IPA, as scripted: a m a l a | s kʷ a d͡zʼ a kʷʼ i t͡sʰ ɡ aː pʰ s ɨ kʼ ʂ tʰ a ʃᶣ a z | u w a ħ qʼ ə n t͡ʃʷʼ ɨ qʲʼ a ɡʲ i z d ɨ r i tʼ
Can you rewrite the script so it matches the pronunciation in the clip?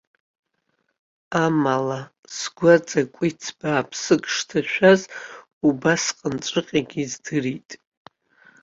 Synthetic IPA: a m a l a | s ɡʷ a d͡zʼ a kʷʼ i t͡sʰ b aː pʰ s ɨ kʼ ʂ tʰ a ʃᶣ a z | u b a s qʼ ə n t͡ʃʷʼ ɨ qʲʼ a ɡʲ i z d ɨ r i tʼ